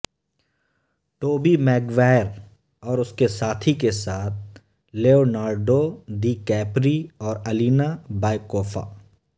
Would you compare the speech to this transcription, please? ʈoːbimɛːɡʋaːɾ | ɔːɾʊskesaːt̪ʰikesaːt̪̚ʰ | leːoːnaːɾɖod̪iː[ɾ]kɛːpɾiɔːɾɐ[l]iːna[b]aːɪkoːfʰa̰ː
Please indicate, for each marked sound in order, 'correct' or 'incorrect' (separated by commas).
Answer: incorrect, correct, correct